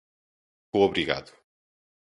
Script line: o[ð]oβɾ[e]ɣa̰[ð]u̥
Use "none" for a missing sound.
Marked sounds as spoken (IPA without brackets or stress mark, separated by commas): none, i, ð